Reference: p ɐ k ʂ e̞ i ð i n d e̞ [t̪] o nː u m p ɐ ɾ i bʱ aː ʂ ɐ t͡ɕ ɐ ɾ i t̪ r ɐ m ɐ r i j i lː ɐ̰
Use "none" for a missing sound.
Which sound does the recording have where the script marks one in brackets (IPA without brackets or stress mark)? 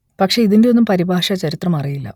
none